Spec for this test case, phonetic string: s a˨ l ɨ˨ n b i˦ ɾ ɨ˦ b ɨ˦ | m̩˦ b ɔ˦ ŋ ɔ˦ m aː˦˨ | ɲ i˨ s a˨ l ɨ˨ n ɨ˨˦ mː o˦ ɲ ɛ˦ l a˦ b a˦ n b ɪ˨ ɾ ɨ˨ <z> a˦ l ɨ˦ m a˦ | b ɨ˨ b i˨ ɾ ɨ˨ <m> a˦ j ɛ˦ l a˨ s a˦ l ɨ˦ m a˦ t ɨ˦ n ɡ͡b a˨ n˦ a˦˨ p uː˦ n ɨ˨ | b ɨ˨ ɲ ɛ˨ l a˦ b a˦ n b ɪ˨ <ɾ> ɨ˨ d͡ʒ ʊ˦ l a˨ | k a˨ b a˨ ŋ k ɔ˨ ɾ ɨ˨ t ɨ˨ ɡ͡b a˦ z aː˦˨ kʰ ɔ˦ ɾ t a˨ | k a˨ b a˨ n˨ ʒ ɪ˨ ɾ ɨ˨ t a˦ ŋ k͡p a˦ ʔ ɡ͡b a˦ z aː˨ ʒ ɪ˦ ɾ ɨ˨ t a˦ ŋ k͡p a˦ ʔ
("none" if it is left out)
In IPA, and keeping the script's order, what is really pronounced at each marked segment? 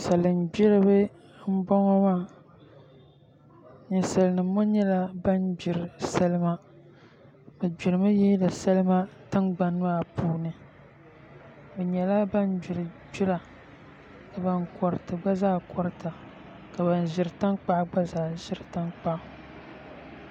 s, m, ɾ

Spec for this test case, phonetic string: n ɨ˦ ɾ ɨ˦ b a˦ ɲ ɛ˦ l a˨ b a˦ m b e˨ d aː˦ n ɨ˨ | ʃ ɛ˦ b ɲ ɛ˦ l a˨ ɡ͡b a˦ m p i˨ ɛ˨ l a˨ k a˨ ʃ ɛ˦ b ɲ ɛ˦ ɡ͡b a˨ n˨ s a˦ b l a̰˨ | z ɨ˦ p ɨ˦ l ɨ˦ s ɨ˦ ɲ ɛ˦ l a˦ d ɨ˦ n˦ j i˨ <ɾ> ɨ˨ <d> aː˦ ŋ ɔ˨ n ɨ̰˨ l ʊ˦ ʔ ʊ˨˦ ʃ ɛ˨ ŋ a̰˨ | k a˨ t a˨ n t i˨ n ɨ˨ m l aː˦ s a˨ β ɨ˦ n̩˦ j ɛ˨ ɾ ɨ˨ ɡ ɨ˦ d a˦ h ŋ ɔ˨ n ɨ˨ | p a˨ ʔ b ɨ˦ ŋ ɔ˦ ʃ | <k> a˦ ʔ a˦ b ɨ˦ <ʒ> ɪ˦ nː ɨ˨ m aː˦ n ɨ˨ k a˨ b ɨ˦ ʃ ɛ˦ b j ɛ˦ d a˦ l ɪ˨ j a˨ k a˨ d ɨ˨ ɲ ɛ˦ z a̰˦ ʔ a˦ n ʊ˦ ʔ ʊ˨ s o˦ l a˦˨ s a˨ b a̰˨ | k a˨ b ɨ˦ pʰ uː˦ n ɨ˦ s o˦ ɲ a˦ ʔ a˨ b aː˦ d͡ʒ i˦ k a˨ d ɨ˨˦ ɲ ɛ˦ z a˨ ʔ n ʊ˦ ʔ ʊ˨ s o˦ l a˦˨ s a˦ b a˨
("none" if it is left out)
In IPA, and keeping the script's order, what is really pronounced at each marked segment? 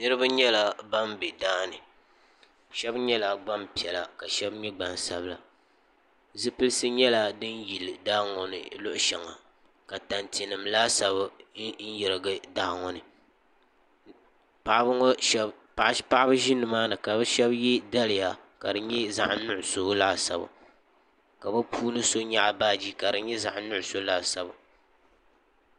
l, d, p, ʒ

